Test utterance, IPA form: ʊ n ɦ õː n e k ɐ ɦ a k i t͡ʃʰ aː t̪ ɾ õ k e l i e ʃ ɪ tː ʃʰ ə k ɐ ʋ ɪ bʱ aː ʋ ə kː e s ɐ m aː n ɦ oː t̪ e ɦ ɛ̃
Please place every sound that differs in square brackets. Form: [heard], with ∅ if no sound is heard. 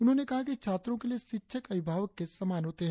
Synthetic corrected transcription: ʊ n ɦ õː n e k ɐ ɦ a k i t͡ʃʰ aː t̪ ɾ õ k e l i e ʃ ɪ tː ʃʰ ə k ɐ ʋ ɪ bʱ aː ʋ ə kː e s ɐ m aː n ɦ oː t̪ e ɦ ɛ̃